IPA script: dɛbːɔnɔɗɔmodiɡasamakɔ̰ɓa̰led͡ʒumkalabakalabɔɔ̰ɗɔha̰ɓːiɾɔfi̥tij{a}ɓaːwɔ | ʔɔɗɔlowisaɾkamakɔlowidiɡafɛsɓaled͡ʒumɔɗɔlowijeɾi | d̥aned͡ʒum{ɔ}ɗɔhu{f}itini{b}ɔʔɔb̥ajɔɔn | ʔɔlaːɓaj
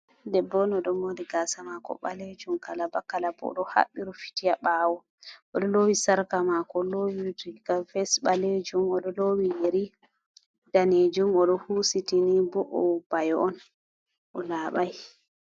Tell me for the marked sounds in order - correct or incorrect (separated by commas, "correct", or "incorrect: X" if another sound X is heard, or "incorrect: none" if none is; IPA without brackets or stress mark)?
correct, correct, incorrect: s, correct